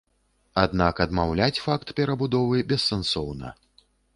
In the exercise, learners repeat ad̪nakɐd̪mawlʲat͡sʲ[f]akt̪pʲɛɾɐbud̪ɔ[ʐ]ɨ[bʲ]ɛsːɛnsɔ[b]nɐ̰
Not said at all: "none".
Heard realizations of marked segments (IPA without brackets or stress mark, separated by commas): f, v, bʲ, w